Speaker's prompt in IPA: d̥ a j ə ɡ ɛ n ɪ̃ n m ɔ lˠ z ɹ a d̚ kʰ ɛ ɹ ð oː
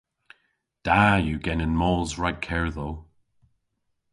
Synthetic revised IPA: d̥ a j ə ɡ ɛ n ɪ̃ n m ɔ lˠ z ɹ a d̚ kʰ ɛ ɹ ð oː

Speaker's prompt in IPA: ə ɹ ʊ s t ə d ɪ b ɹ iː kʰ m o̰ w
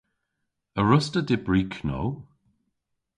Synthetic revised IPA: ə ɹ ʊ s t ə d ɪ b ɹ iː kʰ n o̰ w

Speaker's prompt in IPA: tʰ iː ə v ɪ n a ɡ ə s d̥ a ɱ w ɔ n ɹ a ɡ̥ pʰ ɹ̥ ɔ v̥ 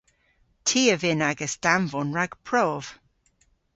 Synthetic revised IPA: tʰ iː ə v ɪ n a ɡ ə s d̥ a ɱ v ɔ n ɹ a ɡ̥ pʰ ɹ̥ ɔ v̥

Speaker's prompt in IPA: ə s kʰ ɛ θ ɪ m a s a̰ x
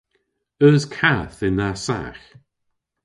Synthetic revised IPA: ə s kʰ a θ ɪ n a s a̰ x

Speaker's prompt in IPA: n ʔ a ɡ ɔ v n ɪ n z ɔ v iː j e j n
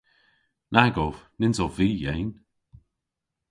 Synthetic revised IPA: n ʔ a ɡ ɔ v n ɪ n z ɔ v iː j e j n

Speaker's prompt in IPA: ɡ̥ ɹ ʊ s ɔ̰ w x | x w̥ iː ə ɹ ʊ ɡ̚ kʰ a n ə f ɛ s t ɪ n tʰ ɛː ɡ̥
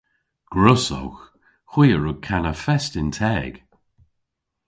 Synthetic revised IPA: ɡ̥ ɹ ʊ s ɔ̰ w x | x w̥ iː ə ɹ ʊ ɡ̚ kʰ a n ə f ɛ s t ɪ n tʰ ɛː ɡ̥

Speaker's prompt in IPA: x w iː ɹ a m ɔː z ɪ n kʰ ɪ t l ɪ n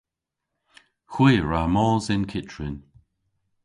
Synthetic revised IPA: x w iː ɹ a m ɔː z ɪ n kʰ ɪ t ɹ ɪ n

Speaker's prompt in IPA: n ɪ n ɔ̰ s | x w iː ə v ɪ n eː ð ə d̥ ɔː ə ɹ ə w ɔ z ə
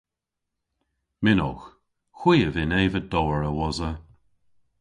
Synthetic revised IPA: m ɪ n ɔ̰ x | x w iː ə v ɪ n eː v ə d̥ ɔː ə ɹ ə w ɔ z ə

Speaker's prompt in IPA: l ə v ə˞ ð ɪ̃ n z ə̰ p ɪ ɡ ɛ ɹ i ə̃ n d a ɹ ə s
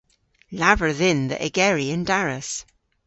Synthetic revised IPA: l a v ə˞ ð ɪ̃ n ð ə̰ ʔ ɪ ɡ ɛ ɹ i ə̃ n d a ɹ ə s

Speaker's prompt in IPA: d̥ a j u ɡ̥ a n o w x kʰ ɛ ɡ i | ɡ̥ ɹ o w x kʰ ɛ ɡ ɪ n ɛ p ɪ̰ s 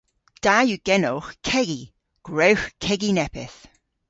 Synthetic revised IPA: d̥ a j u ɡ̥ ɛ n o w x kʰ ɛ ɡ i | ɡ̥ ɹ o w x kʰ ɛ ɡ i n ɛ p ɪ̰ θ

